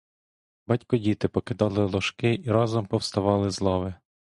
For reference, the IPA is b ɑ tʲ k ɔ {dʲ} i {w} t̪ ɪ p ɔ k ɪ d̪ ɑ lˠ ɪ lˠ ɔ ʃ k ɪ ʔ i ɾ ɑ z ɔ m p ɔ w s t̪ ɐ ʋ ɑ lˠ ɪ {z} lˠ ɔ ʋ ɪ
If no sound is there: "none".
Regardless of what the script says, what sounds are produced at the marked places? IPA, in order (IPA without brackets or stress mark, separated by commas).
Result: dʲ, none, z